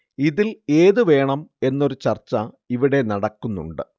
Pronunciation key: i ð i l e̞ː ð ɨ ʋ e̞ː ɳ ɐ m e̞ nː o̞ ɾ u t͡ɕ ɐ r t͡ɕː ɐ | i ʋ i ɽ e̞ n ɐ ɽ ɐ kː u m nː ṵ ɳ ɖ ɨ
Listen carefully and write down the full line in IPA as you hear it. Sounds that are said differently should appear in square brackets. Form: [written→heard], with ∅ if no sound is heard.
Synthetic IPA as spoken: i ð i l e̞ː ð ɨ ʋ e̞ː ɳ ɐ m e̞ nː o̞ ɾ u t͡ɕ ɐ r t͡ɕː ɐ | i ʋ i ɽ e̞ n ɐ ɽ ɐ kː u [m→∅] nː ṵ ɳ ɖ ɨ